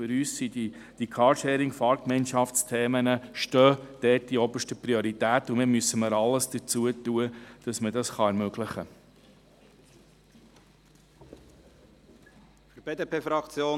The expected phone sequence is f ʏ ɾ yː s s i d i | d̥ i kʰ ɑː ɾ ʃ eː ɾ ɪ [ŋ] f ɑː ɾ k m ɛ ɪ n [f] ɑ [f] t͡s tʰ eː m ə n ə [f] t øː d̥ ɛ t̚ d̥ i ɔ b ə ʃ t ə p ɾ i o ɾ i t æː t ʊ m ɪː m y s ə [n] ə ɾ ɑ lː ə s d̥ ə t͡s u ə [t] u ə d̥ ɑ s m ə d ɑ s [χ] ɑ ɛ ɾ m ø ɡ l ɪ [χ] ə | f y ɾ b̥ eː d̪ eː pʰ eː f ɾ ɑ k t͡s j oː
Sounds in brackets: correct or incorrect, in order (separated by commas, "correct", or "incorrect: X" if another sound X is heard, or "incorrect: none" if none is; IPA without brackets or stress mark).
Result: correct, incorrect: ʃ, correct, incorrect: ʃ, incorrect: m, correct, correct, correct